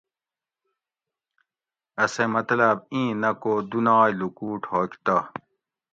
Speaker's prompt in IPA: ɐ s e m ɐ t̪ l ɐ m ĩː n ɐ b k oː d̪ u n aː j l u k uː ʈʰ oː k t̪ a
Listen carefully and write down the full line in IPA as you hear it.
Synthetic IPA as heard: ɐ s e m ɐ t̪ l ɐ b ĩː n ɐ k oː d̪ u n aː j l u k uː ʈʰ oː k t̪ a